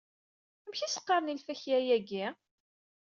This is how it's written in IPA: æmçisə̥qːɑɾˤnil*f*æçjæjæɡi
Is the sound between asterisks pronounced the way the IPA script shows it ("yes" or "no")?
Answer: yes